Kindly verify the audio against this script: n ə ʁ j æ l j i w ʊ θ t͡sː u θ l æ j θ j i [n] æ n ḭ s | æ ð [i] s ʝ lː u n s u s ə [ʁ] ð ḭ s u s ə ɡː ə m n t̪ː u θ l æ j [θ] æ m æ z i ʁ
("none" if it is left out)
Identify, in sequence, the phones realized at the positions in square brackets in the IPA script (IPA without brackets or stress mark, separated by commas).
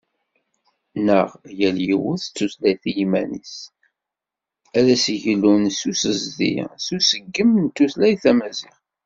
m, æ, z, θ